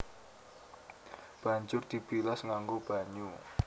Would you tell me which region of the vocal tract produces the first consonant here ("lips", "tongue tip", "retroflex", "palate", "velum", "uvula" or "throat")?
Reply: lips